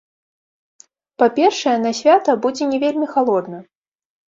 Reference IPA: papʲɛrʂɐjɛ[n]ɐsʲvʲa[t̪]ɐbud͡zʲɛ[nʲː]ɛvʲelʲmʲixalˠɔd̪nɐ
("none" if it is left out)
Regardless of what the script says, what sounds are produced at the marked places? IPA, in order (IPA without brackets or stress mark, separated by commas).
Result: n, t̪, nʲ